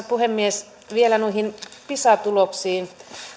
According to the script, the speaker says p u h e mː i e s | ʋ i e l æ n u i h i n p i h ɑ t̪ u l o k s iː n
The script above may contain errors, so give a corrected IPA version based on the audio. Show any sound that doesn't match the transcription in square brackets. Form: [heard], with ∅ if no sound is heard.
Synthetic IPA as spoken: p u h e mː i e s | ʋ i e l æ n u i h i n p i [s] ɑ t̪ u l o k s iː n